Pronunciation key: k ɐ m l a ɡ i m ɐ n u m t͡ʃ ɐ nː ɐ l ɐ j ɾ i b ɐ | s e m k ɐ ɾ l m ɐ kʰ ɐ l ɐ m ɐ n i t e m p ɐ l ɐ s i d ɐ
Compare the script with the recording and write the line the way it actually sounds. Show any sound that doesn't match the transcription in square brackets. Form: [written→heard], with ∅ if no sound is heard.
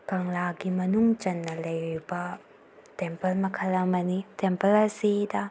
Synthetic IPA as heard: k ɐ [m→ŋ] l a ɡ i m ɐ n u [m→ŋ] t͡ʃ ɐ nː ɐ l ɐ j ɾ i b ɐ | [s→t] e m [k→p] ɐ [ɾ→∅] l m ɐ kʰ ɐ l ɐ m ɐ n i t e m p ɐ l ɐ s i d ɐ